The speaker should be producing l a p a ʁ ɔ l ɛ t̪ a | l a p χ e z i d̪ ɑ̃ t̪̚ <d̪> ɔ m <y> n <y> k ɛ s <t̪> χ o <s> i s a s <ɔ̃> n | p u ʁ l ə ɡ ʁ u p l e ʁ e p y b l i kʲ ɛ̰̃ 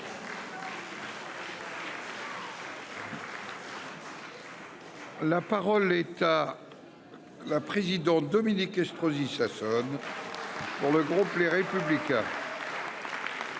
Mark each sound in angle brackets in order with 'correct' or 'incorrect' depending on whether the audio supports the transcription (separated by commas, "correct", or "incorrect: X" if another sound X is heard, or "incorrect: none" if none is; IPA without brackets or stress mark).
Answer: correct, incorrect: i, incorrect: i, correct, incorrect: z, incorrect: ɔ